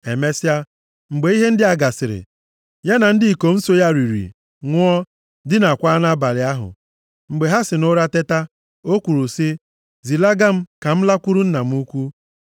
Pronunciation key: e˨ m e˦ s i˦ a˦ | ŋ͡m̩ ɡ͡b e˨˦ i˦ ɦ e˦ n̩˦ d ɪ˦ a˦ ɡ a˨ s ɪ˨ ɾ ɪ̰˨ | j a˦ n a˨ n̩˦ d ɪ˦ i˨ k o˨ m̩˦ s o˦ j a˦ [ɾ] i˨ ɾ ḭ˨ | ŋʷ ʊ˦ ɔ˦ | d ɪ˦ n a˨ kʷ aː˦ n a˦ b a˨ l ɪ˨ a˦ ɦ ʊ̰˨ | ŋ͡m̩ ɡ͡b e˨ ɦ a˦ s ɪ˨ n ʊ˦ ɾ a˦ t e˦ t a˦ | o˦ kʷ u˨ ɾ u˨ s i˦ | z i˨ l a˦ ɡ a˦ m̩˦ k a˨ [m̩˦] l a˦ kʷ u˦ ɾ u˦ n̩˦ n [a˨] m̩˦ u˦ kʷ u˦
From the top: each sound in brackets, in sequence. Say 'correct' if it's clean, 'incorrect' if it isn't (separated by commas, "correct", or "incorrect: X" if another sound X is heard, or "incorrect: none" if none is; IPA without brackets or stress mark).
correct, correct, correct